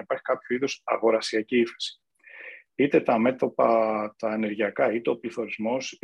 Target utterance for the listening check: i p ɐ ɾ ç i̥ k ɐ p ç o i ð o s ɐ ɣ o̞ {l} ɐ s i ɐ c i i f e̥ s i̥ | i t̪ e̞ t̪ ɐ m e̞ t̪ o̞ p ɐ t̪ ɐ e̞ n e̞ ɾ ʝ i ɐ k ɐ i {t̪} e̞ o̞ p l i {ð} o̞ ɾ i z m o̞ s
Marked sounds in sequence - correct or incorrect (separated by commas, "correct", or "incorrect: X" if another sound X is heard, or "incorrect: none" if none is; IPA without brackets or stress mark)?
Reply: incorrect: ɾ, correct, incorrect: θ